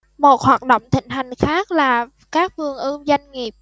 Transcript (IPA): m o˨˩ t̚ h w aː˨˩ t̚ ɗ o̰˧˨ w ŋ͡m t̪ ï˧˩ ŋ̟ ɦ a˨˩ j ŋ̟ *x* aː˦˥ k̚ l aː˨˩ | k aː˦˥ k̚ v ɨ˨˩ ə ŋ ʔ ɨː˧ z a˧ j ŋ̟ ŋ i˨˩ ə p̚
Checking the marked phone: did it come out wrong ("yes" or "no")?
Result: no